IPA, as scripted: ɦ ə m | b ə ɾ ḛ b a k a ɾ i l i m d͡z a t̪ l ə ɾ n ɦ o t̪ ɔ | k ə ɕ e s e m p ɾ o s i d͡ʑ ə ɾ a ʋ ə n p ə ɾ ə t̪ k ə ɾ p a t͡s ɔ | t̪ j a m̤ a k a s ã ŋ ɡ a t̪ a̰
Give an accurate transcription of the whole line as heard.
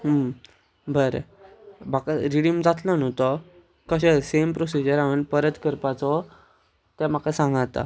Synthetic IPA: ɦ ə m | b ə ɾ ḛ b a k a ɾ i ɽ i m d͡z a t̪ l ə n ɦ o t̪ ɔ | k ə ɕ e s e m p ɾ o s i d͡ʑ ə ɾ a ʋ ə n p ə ɾ ə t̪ k ə ɾ p a t͡s ɔ | t̪ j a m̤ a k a s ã ŋ ɡ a t̪ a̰